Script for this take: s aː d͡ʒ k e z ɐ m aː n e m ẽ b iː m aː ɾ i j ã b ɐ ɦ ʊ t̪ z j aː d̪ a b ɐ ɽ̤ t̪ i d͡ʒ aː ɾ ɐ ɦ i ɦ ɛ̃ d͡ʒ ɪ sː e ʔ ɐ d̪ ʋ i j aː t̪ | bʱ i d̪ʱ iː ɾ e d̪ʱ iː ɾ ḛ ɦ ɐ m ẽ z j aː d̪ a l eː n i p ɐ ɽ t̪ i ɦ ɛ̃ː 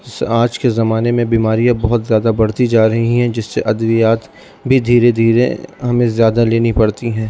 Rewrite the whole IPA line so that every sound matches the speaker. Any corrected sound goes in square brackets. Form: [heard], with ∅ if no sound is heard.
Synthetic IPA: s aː d͡ʒ k e z ɐ m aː n e m ẽ b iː m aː ɾ i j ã b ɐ ɦ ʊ t̪ z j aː d̪ a b ɐ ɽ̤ t̪ i d͡ʒ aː ɾ ɐ ɦ i ɦ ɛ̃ d͡ʒ ɪ sː e ʔ ɐ d̪ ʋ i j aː t̪ | bʱ i d̪ʱ iː ɾ e d̪ʱ iː ɾ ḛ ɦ ɐ m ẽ z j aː d̪ a l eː n i p ɐ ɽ t̪ i ɦ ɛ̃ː